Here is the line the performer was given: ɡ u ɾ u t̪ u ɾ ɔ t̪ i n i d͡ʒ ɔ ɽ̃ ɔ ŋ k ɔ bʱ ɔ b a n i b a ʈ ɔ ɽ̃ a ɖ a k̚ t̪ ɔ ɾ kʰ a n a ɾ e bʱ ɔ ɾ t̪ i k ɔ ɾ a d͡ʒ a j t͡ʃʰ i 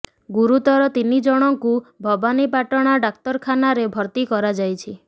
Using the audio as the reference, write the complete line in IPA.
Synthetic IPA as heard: ɡ u ɾ u t̪ ɔ ɾ ɔ t̪ i n i d͡ʒ ɔ ɽ̃ ɔ ŋ k u bʱ ɔ b a n i p a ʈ ɔ ɽ̃ a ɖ a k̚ t̪ ɔ ɾ kʰ a n a ɾ e bʱ ɔ ɾ t̪ i k ɔ ɾ a d͡ʒ a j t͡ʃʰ i